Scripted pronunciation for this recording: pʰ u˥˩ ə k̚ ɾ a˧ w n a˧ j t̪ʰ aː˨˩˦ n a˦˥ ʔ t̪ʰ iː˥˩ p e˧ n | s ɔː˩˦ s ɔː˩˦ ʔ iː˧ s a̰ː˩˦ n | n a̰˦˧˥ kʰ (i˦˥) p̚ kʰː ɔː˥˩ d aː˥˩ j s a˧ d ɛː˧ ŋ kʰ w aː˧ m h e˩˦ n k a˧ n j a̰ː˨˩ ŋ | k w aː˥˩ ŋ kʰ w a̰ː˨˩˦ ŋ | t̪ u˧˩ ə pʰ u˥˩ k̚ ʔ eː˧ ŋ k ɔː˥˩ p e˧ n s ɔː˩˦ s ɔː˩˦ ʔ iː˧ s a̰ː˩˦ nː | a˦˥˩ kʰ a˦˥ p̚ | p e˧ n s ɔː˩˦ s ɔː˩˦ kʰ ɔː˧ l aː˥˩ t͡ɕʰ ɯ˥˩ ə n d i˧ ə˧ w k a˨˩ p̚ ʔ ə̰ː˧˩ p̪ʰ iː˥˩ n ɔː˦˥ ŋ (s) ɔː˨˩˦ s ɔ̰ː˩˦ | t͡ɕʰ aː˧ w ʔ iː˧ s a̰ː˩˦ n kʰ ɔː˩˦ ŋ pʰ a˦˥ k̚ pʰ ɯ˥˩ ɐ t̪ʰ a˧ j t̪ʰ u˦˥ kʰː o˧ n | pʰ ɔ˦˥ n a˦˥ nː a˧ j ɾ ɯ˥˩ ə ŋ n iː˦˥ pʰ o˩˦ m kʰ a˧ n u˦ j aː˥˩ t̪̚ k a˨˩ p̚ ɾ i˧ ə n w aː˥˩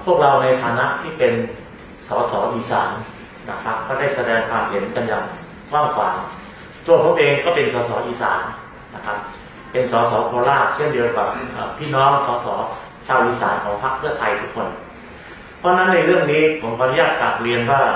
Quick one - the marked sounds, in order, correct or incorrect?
incorrect, correct

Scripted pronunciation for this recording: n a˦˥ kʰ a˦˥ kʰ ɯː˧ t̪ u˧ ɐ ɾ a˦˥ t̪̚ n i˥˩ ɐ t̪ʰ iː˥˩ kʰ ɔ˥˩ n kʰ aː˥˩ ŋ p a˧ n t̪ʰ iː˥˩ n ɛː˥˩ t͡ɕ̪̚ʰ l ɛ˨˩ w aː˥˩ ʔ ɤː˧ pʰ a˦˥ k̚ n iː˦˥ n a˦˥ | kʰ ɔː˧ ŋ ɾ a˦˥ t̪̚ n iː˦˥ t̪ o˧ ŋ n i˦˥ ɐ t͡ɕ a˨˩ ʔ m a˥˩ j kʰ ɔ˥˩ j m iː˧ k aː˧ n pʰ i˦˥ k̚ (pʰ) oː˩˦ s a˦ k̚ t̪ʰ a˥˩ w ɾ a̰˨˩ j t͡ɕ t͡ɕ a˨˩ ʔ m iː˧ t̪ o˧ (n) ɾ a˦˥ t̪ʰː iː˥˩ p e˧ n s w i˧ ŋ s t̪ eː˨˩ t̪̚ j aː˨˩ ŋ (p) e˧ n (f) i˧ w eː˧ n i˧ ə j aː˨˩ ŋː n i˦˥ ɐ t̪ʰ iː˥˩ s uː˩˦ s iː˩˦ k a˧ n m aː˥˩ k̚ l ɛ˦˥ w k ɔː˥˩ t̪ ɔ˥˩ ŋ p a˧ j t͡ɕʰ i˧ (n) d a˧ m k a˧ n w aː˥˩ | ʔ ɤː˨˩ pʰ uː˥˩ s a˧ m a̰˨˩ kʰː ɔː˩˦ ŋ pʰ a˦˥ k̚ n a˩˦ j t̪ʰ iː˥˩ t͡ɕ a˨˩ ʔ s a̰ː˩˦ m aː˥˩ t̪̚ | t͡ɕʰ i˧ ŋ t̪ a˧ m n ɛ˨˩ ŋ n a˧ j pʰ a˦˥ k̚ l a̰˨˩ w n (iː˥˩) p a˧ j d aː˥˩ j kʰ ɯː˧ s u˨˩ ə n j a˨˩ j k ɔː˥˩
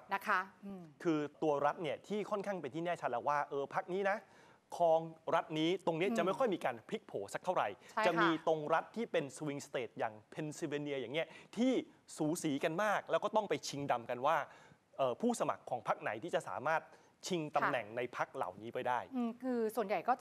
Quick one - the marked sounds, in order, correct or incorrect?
correct, incorrect, incorrect, incorrect, incorrect, incorrect

